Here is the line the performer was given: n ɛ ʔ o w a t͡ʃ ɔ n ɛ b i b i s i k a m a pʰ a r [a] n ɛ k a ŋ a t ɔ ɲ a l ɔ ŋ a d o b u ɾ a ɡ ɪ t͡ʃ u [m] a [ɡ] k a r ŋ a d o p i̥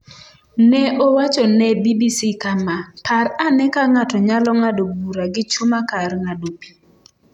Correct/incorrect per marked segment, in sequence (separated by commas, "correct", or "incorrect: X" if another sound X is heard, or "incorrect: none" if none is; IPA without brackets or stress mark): correct, correct, incorrect: none